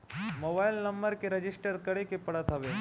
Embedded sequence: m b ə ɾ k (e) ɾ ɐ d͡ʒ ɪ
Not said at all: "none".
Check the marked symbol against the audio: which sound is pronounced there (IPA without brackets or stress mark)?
e